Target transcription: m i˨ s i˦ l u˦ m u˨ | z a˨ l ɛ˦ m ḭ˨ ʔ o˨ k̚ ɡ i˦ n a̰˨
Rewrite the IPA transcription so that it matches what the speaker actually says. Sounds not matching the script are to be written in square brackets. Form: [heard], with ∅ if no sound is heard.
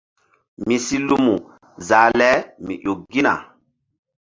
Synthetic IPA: m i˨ s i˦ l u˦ m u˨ | z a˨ l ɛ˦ m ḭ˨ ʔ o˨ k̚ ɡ i˦ n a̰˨